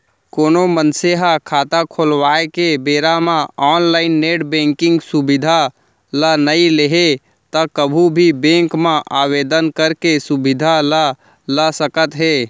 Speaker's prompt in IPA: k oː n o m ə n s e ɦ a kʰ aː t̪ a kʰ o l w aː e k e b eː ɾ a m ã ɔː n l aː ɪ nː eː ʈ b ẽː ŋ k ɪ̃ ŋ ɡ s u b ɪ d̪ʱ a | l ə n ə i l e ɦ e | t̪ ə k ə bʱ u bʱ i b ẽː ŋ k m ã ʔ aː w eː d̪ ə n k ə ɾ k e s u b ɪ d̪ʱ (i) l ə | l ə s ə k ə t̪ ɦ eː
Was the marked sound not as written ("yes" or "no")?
yes